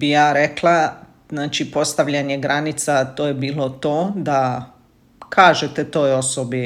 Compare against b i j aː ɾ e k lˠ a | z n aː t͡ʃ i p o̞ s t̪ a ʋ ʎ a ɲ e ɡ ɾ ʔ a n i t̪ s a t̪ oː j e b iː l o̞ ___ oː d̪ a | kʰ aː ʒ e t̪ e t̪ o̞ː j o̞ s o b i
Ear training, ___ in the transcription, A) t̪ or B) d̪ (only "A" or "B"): A